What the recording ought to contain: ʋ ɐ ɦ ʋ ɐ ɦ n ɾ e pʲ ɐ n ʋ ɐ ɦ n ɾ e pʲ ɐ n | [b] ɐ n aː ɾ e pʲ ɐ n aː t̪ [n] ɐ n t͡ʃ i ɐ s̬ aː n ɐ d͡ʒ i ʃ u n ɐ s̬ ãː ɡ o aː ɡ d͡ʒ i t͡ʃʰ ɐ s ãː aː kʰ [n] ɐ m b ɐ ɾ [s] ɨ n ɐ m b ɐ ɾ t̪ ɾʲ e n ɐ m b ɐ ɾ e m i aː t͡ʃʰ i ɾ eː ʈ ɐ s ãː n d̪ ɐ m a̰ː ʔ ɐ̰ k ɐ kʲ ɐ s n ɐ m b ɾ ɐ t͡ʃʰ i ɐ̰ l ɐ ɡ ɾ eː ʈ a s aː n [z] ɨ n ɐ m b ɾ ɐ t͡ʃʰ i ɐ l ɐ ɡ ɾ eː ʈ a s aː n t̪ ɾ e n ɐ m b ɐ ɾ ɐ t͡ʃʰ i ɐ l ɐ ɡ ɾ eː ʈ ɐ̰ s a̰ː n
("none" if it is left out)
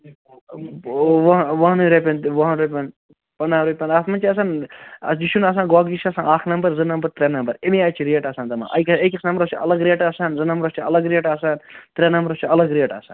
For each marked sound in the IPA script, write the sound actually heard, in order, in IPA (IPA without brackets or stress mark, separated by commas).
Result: p, m, n, z, z